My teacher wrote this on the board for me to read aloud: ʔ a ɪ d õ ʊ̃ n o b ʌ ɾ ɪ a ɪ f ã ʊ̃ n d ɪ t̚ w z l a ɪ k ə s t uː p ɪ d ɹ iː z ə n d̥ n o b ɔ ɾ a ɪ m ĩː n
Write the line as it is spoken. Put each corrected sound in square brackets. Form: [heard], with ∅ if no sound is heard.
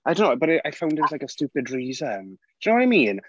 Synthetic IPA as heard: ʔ a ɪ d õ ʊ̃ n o b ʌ ɾ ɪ a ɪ f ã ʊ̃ n d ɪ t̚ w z l a ɪ k ə s t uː p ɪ d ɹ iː z ə n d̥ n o [w] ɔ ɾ a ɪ m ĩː n